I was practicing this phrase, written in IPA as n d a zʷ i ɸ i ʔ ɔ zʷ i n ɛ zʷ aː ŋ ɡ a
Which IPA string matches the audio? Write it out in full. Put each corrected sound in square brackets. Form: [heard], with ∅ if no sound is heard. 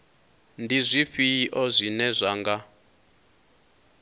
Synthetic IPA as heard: n d [i] zʷ i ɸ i ʔ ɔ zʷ i n ɛ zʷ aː ŋ ɡ a